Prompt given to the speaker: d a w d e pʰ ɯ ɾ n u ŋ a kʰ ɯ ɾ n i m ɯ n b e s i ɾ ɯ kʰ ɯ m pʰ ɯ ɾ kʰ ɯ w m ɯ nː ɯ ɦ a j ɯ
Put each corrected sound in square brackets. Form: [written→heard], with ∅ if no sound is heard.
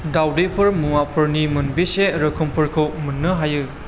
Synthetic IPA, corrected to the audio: d a w d e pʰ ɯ ɾ [n→m] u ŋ a [kʰ→pʰ] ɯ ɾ n i m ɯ n b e s [i→e] ɾ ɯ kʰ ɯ m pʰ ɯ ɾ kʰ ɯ w m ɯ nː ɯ ɦ a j ɯ